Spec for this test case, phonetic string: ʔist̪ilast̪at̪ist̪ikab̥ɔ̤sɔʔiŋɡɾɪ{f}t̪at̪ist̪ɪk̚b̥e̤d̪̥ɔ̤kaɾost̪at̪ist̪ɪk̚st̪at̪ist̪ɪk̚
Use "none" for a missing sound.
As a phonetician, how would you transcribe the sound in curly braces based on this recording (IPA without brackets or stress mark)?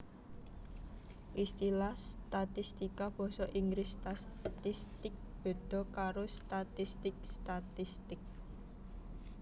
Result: s